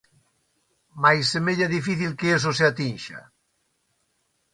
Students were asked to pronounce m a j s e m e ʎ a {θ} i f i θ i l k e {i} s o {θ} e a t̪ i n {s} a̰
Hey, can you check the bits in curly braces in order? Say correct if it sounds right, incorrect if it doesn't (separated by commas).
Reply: incorrect, incorrect, incorrect, incorrect